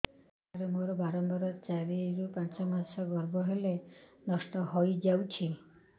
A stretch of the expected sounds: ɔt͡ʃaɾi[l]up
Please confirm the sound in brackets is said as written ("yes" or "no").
no